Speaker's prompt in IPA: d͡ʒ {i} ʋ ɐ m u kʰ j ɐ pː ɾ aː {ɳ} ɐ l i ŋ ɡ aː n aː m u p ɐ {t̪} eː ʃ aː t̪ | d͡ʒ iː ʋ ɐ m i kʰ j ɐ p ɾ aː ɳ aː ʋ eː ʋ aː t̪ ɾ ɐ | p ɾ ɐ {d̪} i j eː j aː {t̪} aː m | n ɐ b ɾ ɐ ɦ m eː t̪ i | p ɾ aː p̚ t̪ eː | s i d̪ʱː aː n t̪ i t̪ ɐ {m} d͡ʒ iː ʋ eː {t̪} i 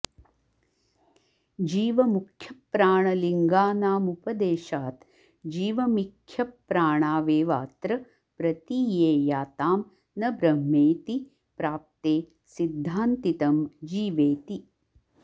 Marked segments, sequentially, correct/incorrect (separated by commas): incorrect, correct, incorrect, incorrect, correct, correct, correct